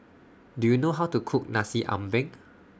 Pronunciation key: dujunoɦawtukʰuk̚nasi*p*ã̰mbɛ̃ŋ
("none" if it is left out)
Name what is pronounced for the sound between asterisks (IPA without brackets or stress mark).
ʔ